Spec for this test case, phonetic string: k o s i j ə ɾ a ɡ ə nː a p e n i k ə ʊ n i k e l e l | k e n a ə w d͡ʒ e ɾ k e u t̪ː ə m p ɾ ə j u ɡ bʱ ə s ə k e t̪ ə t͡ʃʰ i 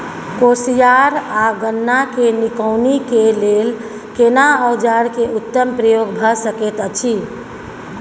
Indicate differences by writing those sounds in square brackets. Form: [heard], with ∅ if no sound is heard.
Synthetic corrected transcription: k o s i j [a] ɾ a ɡ ə nː a [k] e n i k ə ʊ n i k e l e l | k e n a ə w d͡ʒ [a] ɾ k e u t̪ː ə m p ɾ ə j [o] ɡ bʱ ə s ə k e t̪ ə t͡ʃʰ i